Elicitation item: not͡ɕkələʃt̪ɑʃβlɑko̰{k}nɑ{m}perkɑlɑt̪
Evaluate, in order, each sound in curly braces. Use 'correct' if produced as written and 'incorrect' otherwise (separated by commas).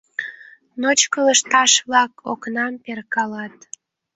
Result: correct, correct